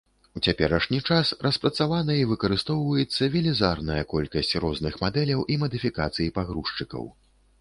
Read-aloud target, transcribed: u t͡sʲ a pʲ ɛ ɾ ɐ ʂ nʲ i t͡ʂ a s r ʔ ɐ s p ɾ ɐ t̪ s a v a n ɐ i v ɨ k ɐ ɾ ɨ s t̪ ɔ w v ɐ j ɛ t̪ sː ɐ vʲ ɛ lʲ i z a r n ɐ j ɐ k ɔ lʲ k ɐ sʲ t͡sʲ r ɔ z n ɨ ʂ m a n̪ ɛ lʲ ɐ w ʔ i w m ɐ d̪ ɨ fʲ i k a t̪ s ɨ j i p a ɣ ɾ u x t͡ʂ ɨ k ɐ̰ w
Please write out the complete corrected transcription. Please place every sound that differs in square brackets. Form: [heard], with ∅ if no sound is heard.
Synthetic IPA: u t͡sʲ a pʲ ɛ ɾ ɐ ʂ nʲ i t͡ʂ a s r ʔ ɐ s p ɾ ɐ t̪ s a v a n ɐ i v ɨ k ɐ ɾ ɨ s t̪ ɔ w v ɐ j ɛ t̪ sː ɐ vʲ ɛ lʲ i z a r n ɐ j ɐ k ɔ lʲ k ɐ sʲ t͡sʲ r ɔ z n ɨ [x] m a [d̪] ɛ lʲ ɐ w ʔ i [∅] m ɐ d̪ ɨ fʲ i k a t̪ s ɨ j i p a ɣ ɾ u [ʂ] t͡ʂ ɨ k ɐ̰ w

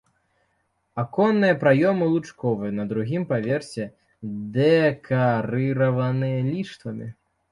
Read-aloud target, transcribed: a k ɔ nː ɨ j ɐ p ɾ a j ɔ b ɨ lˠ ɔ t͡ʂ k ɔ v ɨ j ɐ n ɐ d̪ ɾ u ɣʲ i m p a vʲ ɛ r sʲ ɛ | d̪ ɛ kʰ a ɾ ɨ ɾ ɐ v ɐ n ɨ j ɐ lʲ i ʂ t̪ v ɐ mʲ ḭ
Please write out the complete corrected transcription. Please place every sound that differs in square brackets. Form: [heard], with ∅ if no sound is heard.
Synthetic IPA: a k ɔ nː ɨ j ɐ p ɾ a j ɔ [m] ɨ lˠ [u] t͡ʂ k ɔ v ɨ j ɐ n ɐ d̪ ɾ u ɣʲ i m p a vʲ ɛ r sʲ ɛ | d̪ ɛ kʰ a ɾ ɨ ɾ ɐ v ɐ n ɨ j ɐ lʲ i ʂ t̪ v ɐ mʲ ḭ

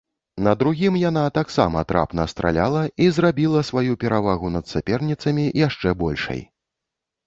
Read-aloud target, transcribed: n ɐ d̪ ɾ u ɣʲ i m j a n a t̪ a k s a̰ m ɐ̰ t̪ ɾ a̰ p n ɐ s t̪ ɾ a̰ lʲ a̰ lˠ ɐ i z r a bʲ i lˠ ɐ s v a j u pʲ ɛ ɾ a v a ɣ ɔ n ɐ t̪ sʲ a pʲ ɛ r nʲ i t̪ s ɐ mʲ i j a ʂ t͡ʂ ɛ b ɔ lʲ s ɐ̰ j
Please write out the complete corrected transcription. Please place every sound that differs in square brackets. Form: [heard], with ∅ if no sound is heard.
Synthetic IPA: n ɐ d̪ ɾ u ɣʲ i m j a n a t̪ a k s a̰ m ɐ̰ t̪ ɾ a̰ p n ɐ s t̪ ɾ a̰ lʲ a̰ lˠ ɐ i z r a bʲ i lˠ ɐ s v a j u pʲ ɛ ɾ a v a ɣ [u] n ɐ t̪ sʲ a pʲ ɛ r nʲ i t̪ s ɐ mʲ i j a ʂ t͡ʂ ɛ b ɔ lʲ [ʂ] ɐ̰ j

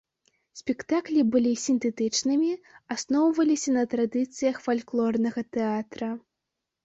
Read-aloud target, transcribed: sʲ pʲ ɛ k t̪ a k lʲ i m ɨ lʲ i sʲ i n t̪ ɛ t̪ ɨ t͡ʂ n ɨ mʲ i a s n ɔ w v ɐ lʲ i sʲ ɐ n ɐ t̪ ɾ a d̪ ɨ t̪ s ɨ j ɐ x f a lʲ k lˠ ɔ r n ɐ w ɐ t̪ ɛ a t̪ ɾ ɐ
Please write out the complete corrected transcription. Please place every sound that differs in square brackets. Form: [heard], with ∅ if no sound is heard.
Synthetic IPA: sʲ pʲ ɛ k t̪ a k lʲ i [b] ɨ lʲ i sʲ i n t̪ ɛ t̪ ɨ t͡ʂ n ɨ mʲ i a s n ɔ w v ɐ lʲ i sʲ ɐ n ɐ t̪ ɾ a d̪ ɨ t̪ s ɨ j ɐ x f a lʲ k lˠ ɔ r n ɐ [ɣ] ɐ t̪ ɛ a t̪ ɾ ɐ

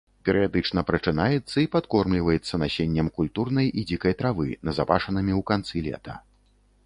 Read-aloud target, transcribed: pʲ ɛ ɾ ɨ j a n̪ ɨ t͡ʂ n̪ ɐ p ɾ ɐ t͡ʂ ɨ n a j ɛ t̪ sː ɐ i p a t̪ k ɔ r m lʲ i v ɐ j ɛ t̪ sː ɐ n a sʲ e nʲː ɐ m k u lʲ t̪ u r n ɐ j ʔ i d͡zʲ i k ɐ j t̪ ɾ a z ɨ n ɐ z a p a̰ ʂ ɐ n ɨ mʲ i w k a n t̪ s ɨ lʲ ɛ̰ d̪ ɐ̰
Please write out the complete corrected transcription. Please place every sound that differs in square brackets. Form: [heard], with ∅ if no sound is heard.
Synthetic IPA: pʲ ɛ ɾ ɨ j a [d̪] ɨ t͡ʂ n̪ ɐ p ɾ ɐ t͡ʂ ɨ n a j ɛ t̪ sː ɐ i p a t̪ k ɔ r m lʲ i v ɐ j ɛ t̪ sː ɐ n a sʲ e nʲː ɐ m k u lʲ t̪ u r n ɐ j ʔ i d͡zʲ i k ɐ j t̪ ɾ a [v] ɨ n ɐ z a p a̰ ʂ ɐ n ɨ mʲ i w k a n t̪ s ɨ lʲ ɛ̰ [t̪] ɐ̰

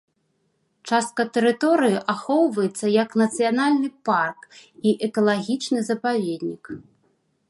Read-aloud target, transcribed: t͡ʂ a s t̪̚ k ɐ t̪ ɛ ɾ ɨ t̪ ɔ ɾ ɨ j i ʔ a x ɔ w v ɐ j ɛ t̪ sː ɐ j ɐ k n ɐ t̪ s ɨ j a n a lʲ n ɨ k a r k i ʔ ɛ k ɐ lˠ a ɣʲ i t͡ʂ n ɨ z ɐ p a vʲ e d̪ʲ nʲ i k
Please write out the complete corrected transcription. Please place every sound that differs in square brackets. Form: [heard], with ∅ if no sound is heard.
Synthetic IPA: t͡ʂ a s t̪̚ k ɐ t̪ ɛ ɾ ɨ t̪ ɔ ɾ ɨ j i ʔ a x ɔ w v ɐ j ɛ t̪ sː ɐ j ɐ k n ɐ t̪ s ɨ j a n a lʲ n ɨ [p] a r k i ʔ ɛ k ɐ lˠ a ɣʲ i t͡ʂ n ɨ z ɐ p a vʲ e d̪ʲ nʲ i k

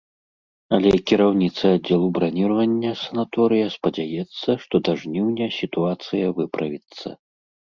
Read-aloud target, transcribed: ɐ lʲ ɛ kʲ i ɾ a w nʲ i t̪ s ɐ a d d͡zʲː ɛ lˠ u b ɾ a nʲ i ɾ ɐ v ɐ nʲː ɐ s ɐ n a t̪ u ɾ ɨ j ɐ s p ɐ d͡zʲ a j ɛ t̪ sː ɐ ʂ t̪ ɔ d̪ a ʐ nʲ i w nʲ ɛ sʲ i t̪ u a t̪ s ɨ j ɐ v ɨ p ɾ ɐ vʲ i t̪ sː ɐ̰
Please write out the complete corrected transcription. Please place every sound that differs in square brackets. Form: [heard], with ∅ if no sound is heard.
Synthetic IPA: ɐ lʲ ɛ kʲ i ɾ a w nʲ i t̪ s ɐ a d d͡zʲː ɛ lˠ u b ɾ a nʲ i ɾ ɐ v ɐ nʲː ɐ s ɐ n a t̪ [ɔ] ɾ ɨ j ɐ s p ɐ d͡zʲ a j ɛ t̪ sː ɐ ʂ t̪ ɔ d̪ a ʐ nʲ i w nʲ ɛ sʲ i t̪ u a t̪ s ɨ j ɐ v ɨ p ɾ ɐ vʲ i t̪ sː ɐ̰

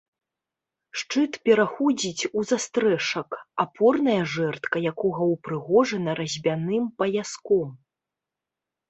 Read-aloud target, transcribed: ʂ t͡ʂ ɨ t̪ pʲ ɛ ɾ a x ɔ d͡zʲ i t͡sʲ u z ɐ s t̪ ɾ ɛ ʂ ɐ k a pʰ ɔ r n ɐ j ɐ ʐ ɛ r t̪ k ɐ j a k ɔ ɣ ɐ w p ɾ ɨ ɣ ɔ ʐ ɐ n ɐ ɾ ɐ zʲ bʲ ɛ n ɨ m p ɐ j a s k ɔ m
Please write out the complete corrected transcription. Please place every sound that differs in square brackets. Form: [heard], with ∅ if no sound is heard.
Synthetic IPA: ʂ t͡ʂ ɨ t̪ pʲ ɛ ɾ a x ɔ d͡zʲ i t͡sʲ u z [a] s t̪ ɾ ɛ ʂ ɐ k a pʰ ɔ r n ɐ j ɐ ʐ ɛ r t̪ k ɐ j a k ɔ ɣ ɐ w p ɾ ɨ ɣ ɔ ʐ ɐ n ɐ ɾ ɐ zʲ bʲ [a] n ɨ m p ɐ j a s k ɔ m

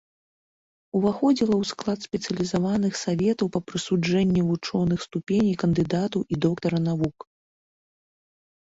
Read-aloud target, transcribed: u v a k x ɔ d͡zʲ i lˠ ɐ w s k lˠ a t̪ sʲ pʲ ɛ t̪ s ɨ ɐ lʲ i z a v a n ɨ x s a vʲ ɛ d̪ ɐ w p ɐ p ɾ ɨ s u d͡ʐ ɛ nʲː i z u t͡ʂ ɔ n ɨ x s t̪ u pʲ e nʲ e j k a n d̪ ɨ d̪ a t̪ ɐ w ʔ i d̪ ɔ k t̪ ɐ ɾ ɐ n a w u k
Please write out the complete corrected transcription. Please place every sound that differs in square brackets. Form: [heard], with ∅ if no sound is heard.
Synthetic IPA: u v a [∅] x ɔ d͡zʲ i lˠ ɐ w s k lˠ a t̪ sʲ pʲ ɛ t̪ s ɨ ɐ lʲ i z a v a n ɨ x s a vʲ ɛ [t̪] ɐ w p ɐ p ɾ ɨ s u d͡ʐ ɛ nʲː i [v] u t͡ʂ ɔ n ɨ x s t̪ u pʲ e nʲ [i] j k [ɐ] n d̪ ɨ d̪ a t̪ ɐ w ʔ i d̪ ɔ k t̪ ɐ ɾ ɐ n a [v] u k

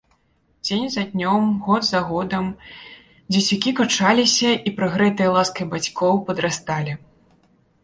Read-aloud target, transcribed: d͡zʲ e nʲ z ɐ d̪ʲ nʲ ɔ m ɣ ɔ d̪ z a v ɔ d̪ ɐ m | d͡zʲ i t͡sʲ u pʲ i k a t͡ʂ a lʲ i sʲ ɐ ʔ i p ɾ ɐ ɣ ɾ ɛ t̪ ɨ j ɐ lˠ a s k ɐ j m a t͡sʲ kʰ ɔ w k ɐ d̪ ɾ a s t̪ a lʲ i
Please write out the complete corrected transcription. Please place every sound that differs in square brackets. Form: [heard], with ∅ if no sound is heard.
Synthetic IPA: d͡zʲ e nʲ z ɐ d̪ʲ nʲ ɔ m ɣ ɔ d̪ z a [ɣ] ɔ d̪ ɐ m | d͡zʲ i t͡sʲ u [kʲ] i k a t͡ʂ a lʲ i sʲ ɐ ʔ i p ɾ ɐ ɣ ɾ ɛ t̪ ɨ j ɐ lˠ a s k ɐ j [b] a t͡sʲ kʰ ɔ w [p] ɐ d̪ ɾ a s t̪ a lʲ i

